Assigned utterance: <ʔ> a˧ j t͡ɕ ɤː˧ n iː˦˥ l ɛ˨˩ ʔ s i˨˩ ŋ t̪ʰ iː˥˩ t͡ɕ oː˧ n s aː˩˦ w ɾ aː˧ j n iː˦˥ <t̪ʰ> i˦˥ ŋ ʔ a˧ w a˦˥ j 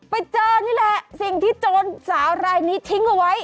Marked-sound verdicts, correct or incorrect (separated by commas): incorrect, correct